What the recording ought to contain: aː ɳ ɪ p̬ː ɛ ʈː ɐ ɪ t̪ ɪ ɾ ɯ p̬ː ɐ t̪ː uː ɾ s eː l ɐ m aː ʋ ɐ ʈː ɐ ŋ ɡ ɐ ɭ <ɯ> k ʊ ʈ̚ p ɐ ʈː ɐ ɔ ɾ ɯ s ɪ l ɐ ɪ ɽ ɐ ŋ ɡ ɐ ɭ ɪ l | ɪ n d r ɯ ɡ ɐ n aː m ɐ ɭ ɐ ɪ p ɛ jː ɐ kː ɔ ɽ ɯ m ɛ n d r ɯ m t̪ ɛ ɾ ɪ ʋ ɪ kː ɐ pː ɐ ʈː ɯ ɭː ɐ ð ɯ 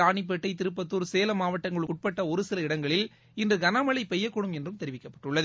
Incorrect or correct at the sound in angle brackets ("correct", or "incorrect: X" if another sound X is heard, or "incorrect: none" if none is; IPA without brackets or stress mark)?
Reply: correct